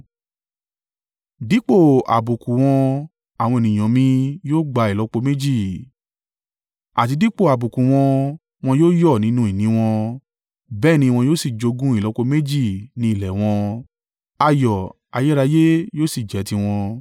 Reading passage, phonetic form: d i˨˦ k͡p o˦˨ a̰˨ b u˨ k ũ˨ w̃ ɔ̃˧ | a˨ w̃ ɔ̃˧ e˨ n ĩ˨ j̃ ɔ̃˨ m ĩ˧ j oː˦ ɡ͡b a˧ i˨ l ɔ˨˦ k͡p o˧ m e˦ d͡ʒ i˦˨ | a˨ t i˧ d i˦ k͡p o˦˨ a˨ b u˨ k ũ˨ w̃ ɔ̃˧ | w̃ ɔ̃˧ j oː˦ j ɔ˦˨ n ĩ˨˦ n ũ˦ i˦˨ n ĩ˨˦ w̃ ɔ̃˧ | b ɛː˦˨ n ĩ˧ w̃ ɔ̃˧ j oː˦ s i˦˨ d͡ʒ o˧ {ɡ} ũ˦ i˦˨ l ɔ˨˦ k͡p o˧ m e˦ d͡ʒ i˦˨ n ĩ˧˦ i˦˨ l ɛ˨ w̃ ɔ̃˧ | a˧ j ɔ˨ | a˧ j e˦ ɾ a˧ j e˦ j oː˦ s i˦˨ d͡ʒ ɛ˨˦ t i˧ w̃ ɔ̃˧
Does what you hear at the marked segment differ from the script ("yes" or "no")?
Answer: no